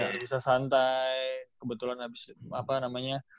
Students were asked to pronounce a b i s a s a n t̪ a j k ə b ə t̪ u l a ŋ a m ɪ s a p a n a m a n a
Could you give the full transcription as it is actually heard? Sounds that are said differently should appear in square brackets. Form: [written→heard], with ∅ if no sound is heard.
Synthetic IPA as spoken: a b i s a s a n t̪ a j k ə b ə t̪ u l a [ŋ→n] a [m→b] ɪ s a p a n a m a [n→ɲ] a